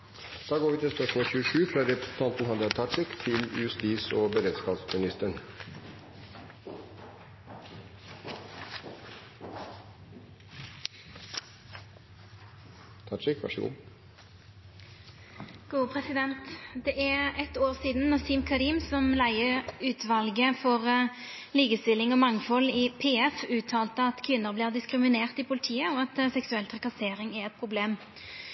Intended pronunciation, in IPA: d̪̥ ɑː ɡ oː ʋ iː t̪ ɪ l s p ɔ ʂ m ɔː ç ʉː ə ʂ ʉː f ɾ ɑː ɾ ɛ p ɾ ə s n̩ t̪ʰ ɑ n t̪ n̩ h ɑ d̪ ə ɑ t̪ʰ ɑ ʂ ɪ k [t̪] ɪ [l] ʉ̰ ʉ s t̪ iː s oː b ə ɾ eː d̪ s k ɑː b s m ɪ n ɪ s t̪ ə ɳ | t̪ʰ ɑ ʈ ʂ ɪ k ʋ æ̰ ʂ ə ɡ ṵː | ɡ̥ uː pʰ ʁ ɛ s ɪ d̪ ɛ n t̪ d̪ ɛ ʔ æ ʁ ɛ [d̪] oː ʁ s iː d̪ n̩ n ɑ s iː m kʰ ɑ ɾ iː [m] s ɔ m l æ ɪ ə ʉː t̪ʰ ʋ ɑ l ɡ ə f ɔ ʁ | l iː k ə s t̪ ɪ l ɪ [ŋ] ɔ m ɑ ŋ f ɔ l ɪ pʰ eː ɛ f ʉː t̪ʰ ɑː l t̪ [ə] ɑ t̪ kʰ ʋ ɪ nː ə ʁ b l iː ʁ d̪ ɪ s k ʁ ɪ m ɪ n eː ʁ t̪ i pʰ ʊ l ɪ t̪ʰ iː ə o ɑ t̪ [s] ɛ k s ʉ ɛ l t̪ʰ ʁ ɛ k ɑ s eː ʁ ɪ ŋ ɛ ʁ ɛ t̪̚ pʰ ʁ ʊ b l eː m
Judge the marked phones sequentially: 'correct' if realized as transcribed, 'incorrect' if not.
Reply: incorrect: t̪ʰ, correct, incorrect: t̪, correct, correct, correct, correct

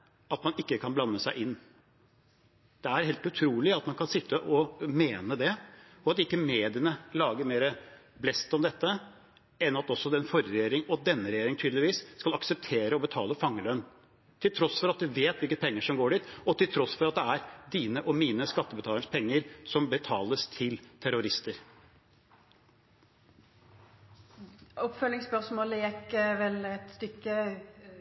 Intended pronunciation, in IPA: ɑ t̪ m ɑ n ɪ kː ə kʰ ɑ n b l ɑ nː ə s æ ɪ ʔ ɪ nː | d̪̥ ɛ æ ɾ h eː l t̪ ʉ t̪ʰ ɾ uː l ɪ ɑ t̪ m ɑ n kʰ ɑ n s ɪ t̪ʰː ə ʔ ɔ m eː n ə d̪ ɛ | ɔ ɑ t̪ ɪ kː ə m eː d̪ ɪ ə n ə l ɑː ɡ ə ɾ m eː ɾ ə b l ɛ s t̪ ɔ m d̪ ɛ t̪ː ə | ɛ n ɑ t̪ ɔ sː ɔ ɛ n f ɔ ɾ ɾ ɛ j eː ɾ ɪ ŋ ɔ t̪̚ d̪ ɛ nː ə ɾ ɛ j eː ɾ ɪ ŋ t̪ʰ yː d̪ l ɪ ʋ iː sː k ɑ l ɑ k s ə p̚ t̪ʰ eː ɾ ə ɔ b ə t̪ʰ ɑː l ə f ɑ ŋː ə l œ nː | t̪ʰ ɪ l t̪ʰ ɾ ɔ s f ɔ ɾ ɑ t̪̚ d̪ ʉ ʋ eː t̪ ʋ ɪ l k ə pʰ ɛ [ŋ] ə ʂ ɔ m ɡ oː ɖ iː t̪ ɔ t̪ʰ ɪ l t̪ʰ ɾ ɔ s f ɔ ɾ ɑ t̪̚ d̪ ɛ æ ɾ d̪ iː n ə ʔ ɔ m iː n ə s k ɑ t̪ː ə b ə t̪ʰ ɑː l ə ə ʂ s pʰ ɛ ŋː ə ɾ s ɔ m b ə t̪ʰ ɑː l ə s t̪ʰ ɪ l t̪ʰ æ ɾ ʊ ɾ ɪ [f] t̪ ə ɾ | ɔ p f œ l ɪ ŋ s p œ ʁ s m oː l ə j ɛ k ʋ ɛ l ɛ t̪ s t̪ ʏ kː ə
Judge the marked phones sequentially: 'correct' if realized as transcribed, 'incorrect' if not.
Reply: incorrect: ŋː, incorrect: s

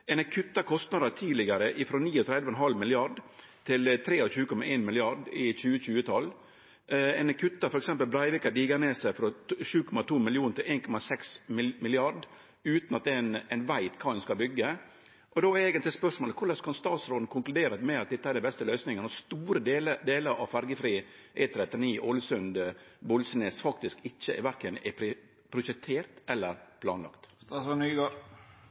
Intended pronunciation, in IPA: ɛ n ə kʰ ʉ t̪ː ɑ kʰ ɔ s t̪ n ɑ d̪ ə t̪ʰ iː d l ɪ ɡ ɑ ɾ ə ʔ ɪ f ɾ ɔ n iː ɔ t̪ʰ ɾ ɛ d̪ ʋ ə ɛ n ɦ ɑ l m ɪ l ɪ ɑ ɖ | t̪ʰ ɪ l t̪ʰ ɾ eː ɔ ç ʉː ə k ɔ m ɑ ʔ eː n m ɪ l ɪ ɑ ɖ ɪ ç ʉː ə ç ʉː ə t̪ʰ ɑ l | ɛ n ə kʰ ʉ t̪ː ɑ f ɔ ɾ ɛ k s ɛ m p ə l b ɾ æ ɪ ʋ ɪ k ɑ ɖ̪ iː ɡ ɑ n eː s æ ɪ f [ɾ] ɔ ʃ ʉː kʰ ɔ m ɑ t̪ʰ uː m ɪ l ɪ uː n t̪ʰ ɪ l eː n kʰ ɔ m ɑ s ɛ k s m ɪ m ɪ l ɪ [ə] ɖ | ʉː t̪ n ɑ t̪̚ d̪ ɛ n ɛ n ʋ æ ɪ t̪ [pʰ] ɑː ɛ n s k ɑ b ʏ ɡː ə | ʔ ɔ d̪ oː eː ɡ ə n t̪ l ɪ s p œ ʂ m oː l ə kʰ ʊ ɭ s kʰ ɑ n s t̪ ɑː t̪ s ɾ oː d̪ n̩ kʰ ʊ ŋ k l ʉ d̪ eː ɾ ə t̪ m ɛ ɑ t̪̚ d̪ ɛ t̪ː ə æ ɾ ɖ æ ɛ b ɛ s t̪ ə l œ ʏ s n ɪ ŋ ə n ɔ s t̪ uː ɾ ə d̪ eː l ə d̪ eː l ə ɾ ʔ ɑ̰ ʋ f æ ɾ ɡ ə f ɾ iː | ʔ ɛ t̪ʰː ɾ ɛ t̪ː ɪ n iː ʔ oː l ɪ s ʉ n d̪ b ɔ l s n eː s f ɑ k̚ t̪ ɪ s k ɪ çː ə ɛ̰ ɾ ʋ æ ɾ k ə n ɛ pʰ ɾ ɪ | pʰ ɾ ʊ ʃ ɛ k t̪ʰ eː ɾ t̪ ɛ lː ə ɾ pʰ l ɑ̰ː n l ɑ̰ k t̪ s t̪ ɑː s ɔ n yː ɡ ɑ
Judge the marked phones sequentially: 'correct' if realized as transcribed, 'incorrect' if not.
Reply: correct, incorrect: ɑ, incorrect: kʰ

